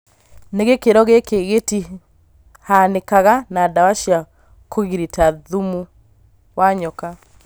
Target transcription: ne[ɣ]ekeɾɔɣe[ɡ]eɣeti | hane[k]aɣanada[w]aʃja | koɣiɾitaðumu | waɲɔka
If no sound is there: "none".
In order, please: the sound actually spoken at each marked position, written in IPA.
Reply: ɣ, k, k, w

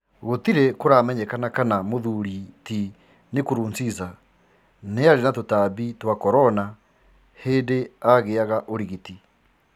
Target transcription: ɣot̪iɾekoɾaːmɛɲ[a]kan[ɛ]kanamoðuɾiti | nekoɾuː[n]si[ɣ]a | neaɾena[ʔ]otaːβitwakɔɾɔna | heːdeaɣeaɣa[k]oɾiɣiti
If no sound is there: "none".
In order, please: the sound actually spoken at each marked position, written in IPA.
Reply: ɛ, a, n, z, t, ʔ

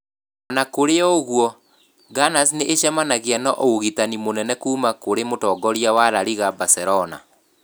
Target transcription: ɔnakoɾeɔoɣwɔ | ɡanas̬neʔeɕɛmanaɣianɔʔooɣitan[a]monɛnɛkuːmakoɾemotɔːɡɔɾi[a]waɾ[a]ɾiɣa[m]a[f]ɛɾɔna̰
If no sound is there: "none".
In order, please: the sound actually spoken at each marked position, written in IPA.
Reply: i, a, a, b, s

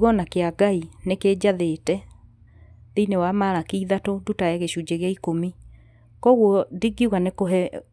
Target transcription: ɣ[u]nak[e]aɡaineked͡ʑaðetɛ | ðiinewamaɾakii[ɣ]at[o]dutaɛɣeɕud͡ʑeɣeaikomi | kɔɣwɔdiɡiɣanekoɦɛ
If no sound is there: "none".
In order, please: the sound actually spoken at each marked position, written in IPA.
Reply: ɔ, e, ð, o

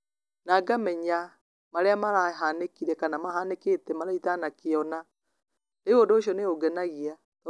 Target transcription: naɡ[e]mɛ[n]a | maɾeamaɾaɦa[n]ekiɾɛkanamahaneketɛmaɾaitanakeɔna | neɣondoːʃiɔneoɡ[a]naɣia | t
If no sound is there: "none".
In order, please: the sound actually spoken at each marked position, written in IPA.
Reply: a, ɲ, n, ɛ

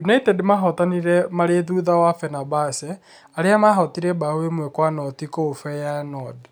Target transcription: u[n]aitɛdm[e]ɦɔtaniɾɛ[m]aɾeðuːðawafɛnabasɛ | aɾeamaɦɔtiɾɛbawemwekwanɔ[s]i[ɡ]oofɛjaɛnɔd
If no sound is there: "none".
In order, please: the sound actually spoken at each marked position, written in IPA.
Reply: n, a, m, t, k

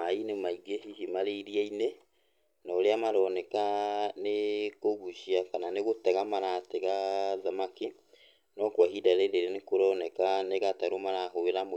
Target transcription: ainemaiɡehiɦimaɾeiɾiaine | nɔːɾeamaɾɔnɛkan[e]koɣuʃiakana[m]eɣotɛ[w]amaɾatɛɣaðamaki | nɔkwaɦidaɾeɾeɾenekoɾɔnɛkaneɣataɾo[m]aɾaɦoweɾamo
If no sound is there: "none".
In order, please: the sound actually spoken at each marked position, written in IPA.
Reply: e, n, ɣ, m

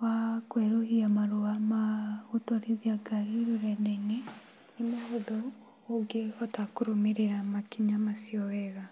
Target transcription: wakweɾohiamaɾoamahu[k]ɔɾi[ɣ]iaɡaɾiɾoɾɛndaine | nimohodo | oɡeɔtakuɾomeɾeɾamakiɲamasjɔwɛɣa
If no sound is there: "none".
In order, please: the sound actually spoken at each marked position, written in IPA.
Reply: t, ð

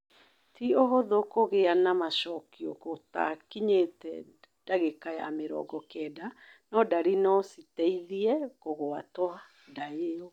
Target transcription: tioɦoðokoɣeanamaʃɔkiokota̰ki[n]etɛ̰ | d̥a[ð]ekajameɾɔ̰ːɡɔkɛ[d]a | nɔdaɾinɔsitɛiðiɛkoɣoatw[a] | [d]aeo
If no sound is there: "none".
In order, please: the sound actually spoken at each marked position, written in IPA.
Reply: ɲ, ɣ, d, a, d

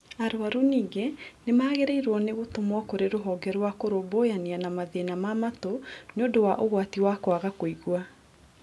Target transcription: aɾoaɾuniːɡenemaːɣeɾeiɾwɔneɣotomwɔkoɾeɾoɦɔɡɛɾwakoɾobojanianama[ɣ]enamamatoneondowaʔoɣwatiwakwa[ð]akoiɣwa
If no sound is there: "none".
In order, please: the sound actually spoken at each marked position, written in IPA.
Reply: ð, ɣ

